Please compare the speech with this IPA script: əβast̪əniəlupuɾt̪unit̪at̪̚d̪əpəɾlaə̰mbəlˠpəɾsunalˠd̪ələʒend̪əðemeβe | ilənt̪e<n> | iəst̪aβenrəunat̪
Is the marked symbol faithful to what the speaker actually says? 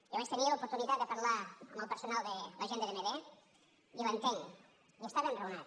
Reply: no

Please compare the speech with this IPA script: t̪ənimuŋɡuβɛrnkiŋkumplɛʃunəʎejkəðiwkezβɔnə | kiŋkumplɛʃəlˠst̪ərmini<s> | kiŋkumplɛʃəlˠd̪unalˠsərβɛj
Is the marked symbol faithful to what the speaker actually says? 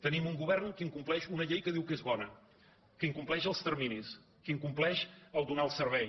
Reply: yes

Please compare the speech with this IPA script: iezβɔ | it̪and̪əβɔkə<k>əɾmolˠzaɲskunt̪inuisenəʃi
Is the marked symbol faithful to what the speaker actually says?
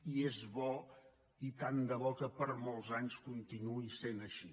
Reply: no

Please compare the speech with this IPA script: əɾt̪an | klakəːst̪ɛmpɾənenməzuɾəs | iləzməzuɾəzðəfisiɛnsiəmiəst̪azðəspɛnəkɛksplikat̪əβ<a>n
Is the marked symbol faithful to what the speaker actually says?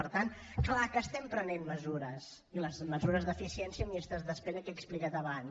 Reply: yes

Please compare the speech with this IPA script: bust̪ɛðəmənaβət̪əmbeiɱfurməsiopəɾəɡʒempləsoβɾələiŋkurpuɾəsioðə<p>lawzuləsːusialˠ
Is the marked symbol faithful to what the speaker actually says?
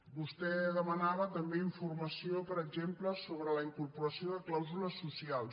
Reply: no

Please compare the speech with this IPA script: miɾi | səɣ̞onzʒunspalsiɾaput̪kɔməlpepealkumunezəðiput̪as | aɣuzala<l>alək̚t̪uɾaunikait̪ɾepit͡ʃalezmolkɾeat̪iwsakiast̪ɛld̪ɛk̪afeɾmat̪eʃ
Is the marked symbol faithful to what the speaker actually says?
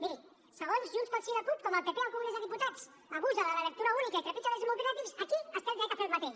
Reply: yes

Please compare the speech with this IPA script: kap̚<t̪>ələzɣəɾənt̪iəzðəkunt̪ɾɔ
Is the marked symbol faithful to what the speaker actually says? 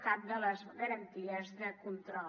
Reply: no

